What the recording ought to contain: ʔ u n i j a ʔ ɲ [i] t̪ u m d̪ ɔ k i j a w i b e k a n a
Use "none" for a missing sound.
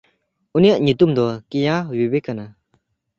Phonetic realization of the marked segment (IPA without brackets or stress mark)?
i